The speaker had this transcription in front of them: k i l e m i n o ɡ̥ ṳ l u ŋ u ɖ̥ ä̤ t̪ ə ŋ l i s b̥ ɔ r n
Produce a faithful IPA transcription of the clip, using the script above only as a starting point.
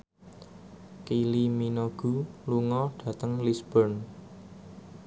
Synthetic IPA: k i l i m i n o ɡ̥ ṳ l u ŋ ɔ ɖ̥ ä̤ t̪ ə ŋ l i s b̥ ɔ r n